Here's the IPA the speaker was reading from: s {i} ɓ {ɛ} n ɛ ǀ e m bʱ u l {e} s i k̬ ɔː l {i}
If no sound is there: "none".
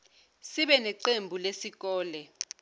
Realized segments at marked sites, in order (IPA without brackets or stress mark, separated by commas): i, ɛ, e, ɛ